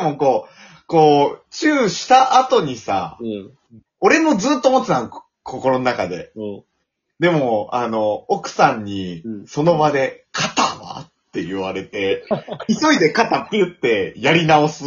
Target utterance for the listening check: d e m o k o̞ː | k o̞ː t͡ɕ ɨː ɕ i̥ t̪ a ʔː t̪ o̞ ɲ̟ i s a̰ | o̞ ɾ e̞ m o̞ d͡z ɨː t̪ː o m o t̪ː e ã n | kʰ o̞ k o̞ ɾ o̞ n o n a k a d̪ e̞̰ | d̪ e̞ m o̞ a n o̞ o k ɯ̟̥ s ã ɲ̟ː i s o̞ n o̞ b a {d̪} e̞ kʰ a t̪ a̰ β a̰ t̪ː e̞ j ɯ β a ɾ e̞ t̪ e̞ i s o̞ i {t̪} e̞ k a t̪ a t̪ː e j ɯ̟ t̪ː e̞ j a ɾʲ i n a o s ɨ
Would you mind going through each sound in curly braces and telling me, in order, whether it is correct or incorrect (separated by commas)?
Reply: correct, incorrect